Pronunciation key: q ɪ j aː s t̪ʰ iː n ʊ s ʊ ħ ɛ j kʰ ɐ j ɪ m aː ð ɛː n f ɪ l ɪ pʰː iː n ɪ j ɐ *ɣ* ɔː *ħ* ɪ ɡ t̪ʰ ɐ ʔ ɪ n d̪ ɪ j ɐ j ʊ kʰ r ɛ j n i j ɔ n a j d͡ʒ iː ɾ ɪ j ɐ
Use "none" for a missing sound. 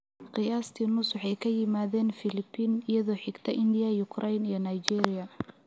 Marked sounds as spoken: ð, ħ

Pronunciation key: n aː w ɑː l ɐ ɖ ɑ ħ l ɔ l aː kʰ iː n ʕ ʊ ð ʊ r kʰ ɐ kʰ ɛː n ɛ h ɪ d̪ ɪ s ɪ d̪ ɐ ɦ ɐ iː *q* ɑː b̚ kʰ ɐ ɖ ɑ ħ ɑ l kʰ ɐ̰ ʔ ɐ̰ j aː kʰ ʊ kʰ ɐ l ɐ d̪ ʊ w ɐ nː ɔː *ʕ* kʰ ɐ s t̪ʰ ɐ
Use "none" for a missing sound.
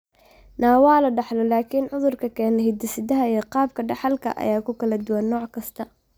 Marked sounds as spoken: q, ʕ

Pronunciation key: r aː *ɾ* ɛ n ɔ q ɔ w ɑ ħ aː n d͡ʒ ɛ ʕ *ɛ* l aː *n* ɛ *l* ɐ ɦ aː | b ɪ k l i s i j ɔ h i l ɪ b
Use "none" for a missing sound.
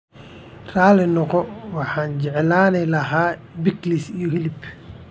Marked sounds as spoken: l, ɛ, n, l

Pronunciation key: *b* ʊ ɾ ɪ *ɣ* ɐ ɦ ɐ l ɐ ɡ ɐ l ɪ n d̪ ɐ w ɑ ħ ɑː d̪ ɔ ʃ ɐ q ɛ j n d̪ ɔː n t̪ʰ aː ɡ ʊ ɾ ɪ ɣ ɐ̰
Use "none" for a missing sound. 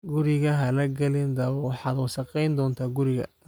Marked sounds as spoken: ɡ, ɣ

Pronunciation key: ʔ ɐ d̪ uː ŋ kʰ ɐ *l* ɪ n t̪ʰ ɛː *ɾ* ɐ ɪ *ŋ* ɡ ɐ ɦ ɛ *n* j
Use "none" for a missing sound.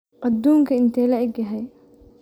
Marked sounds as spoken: none, l, none, none

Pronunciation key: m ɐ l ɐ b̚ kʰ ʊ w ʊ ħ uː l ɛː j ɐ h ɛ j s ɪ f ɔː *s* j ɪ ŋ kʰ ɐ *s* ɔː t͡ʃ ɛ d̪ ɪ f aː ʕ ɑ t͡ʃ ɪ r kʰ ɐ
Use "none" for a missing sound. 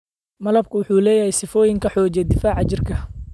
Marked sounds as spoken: none, ħ

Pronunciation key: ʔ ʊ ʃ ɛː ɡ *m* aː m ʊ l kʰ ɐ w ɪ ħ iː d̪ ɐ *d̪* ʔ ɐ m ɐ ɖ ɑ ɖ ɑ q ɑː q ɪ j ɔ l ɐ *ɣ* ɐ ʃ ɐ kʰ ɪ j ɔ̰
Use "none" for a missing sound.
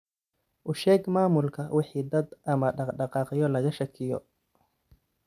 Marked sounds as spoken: m, d̪, ɣ

